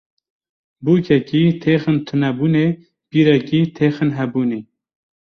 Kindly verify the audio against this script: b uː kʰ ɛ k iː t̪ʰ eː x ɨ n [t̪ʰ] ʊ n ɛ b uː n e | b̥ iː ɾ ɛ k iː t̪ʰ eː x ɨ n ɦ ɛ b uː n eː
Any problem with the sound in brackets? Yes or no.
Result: no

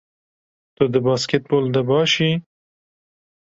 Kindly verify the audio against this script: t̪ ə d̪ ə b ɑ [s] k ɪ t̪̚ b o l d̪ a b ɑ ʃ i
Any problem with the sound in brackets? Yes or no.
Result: no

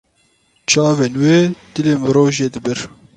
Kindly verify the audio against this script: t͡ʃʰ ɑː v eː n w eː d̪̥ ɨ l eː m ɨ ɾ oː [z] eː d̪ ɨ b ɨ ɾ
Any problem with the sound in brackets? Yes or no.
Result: yes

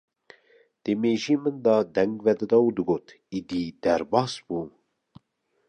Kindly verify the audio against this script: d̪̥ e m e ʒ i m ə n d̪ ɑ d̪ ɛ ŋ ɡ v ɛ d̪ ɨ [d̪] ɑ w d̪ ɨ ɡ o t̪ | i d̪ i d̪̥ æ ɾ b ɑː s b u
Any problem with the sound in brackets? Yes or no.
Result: no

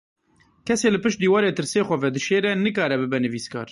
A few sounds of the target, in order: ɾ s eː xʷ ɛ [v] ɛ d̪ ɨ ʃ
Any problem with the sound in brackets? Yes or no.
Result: no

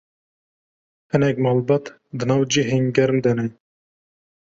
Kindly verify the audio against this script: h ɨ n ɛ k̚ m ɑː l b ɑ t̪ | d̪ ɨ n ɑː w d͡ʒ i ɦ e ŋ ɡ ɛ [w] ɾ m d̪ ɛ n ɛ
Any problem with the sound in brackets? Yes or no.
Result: yes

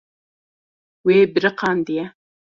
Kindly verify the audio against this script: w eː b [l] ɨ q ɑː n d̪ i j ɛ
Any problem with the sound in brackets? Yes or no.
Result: yes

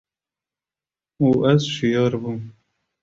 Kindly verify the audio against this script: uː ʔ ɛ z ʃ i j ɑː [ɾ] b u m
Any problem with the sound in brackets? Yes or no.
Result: no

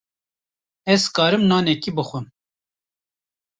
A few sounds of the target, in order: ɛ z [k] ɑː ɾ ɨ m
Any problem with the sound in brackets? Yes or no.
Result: no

